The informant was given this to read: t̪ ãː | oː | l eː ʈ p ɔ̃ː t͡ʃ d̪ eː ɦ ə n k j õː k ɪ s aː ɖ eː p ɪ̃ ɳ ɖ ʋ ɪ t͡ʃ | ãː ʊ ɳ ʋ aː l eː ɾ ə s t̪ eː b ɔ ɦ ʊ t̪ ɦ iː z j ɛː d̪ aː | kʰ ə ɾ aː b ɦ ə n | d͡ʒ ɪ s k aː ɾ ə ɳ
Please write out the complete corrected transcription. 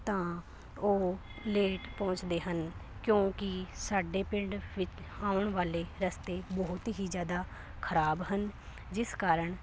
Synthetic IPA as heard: t̪ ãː | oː | l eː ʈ p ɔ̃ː t͡ʃ d̪ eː ɦ ə n k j õː k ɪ s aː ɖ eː p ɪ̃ ɳ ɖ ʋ ɪ t͡ʃ | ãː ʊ ɳ ʋ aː l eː ɾ ə s t̪ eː b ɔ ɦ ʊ t̪ ɦ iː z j aː d̪ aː | kʰ ə ɾ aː b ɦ ə n | d͡ʒ ɪ s k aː ɾ ə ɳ